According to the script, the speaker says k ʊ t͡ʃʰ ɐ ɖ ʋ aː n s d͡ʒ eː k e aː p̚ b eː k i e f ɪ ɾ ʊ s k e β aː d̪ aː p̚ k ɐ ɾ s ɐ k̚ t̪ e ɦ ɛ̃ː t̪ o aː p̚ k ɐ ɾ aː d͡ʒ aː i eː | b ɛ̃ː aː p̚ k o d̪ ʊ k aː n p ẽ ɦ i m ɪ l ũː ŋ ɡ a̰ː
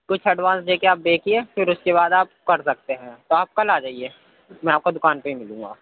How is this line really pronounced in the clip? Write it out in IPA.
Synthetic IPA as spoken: k ʊ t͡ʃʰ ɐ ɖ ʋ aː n s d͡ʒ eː k e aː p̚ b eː k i e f ɪ ɾ ʊ s k e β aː d̪ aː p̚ k ɐ ɾ s ɐ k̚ t̪ e ɦ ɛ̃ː t̪ o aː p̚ k ɐ l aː d͡ʒ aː i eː | m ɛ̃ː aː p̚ k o d̪ ʊ k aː n p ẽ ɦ i m ɪ l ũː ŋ ɡ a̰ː